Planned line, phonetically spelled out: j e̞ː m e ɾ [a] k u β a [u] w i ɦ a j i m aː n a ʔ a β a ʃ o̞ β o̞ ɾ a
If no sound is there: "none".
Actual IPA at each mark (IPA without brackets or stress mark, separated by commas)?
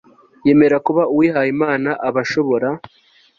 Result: a, u